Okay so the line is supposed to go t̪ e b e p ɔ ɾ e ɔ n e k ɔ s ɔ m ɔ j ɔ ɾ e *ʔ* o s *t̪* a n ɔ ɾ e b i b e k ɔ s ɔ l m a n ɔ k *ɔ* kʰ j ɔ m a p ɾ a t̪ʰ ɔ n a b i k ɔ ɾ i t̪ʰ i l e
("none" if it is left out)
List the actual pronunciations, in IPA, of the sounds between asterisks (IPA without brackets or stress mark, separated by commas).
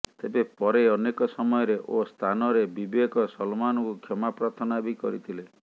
ʔ, t̪ʰ, u